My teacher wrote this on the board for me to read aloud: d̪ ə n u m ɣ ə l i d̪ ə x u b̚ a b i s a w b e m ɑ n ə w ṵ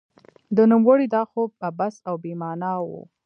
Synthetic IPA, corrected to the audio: d̪ ə n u m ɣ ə ɽ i d̪ ɑ x o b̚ a b a s a w b e m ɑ n ɑ w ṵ